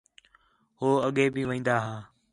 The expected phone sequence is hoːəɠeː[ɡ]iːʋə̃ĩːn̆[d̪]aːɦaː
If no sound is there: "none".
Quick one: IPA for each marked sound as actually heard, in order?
b, d̪

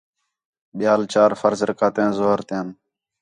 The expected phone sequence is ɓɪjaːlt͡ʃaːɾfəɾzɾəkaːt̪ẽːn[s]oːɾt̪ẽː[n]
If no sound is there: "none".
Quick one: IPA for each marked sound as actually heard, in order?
z, n

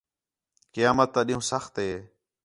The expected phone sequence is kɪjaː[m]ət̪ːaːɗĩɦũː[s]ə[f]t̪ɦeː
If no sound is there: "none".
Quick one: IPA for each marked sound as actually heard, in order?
m, s, x

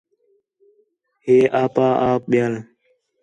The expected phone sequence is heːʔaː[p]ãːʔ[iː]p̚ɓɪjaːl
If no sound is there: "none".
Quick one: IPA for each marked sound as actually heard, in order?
p, aː

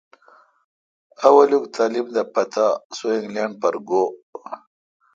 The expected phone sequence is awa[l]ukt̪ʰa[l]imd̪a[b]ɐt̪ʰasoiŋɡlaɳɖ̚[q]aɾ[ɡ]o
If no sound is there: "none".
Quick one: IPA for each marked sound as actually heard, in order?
l, l, p, p, ɡ

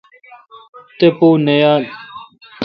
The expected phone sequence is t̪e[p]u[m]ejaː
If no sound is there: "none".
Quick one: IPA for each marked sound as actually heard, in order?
p, n

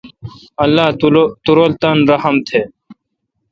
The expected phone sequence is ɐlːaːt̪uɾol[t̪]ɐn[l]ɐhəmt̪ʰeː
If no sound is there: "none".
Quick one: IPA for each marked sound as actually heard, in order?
t̪, ɾ

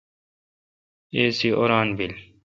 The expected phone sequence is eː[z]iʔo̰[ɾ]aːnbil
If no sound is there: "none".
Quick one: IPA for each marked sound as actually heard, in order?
s, ɾ

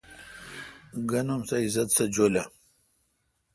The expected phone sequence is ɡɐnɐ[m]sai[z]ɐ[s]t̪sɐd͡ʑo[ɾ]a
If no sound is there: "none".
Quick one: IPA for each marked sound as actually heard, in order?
m, z, none, l

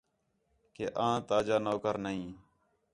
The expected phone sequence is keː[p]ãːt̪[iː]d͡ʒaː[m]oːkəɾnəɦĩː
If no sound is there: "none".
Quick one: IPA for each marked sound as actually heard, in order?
ʔ, aː, n

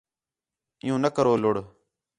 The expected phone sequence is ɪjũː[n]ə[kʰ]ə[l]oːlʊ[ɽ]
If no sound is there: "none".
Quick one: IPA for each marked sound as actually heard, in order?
n, k, ɾ, ɽ

